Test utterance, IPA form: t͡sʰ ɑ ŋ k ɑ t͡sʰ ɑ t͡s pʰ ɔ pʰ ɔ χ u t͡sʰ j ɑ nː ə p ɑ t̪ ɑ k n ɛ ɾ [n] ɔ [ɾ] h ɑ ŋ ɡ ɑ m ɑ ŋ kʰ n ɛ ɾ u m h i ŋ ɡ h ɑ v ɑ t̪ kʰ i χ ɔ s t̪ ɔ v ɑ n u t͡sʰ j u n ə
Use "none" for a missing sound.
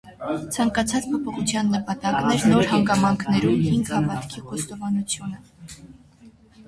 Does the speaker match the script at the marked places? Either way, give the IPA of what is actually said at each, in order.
n, ɾ

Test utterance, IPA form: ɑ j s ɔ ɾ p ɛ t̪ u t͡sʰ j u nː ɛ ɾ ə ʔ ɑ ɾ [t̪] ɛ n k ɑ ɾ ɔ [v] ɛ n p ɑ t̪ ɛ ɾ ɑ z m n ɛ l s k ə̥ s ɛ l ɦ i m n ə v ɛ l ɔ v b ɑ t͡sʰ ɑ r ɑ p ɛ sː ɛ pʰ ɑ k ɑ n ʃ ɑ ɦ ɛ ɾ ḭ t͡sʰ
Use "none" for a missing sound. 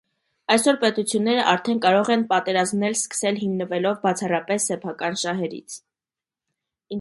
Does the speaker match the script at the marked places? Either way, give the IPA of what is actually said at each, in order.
t̪ʰ, ʁ

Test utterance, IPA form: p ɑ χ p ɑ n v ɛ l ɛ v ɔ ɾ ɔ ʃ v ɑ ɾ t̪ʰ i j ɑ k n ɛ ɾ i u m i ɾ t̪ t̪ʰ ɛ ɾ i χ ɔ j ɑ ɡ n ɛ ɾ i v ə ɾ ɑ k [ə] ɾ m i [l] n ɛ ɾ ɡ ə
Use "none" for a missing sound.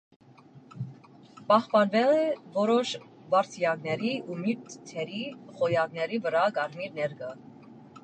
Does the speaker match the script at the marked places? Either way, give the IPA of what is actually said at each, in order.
ɑ, ɾ

